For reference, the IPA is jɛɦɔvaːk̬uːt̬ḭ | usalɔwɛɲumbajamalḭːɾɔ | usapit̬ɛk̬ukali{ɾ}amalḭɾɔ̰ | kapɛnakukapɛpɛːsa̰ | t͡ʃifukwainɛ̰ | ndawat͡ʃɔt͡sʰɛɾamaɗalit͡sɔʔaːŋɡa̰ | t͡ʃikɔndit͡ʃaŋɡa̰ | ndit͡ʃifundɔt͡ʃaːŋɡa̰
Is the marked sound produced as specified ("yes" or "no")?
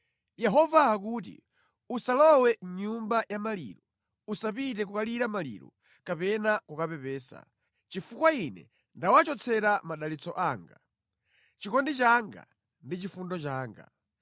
yes